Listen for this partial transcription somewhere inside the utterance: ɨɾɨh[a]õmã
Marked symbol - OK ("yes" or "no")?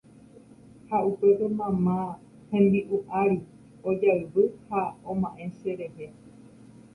yes